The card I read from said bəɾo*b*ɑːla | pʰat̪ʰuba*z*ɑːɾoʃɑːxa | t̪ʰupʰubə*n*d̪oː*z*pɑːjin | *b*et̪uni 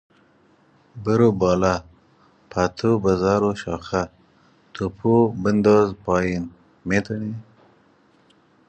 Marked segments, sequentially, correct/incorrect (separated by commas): correct, correct, correct, correct, incorrect